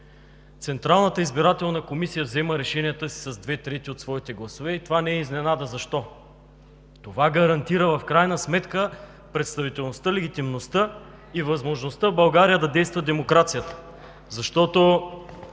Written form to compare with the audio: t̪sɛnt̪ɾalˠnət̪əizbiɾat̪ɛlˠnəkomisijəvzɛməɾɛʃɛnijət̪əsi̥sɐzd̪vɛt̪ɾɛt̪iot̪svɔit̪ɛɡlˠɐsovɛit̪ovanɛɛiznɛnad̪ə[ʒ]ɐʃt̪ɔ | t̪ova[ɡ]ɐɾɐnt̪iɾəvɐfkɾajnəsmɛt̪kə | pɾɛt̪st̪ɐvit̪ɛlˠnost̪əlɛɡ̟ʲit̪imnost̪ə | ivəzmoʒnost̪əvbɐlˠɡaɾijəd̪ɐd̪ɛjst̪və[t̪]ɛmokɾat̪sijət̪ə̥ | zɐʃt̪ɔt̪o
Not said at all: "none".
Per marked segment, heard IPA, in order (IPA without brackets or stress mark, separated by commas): z, ɡ, d̪